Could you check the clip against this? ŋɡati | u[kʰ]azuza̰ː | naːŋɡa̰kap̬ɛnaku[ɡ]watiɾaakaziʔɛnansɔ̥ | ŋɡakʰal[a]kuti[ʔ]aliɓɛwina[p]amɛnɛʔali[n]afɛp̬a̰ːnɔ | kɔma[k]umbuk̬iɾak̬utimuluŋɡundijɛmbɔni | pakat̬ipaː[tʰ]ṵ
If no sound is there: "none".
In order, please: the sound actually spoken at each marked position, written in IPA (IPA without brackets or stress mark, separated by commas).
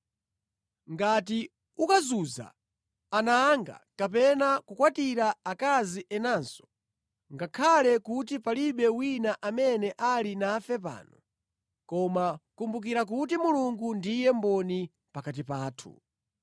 k, k, ɛ, p, ʔ, n, k, tʰ